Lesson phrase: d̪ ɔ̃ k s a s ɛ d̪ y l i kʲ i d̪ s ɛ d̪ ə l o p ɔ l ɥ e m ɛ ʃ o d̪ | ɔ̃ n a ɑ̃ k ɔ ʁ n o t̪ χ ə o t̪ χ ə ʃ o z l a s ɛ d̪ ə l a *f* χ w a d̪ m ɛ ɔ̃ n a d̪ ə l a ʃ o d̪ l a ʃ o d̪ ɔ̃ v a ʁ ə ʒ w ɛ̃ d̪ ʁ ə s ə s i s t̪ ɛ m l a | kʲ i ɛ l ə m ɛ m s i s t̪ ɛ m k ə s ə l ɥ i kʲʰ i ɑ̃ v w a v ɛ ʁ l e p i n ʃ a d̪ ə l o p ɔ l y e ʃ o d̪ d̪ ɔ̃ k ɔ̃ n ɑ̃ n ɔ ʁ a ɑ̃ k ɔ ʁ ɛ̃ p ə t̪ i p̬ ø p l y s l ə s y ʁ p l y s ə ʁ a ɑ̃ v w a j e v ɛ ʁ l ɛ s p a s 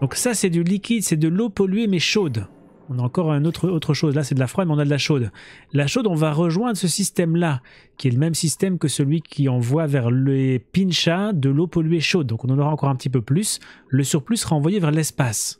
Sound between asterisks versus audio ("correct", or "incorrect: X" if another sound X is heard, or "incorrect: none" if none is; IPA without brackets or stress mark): correct